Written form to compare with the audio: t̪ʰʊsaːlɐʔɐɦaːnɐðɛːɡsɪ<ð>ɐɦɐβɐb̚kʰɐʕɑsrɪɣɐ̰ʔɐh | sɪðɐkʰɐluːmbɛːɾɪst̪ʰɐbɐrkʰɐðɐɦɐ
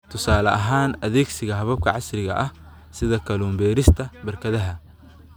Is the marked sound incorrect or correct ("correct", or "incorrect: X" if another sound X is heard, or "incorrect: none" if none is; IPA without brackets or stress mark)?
incorrect: ɣ